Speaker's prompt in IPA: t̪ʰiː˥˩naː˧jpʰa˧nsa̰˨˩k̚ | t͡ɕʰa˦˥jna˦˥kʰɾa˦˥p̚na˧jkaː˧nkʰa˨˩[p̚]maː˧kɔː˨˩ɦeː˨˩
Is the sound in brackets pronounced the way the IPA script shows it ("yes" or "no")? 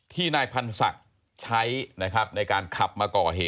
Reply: yes